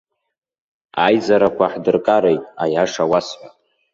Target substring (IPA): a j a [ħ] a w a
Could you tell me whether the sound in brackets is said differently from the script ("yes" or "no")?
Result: yes